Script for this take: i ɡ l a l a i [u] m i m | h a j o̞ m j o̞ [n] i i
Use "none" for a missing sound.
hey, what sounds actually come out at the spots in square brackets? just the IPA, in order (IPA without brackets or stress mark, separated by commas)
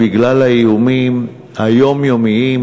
u, m